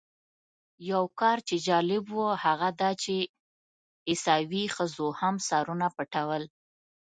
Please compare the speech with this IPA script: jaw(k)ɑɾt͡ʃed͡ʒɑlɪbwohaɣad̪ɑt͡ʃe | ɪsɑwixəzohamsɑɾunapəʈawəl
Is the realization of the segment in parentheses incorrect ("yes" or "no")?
no